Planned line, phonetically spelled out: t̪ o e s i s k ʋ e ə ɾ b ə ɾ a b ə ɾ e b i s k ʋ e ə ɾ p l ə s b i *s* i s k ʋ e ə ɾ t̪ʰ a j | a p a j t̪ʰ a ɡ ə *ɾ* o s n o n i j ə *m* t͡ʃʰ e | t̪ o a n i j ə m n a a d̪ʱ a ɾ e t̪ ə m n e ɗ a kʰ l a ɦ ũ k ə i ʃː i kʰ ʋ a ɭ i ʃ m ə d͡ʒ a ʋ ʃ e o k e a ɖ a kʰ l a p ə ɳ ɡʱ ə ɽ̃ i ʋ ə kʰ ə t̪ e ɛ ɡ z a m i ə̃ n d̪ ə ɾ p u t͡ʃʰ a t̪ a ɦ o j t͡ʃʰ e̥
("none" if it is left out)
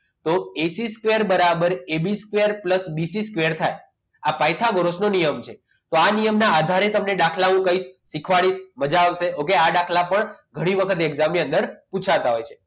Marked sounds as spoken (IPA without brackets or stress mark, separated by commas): s, ɾ, m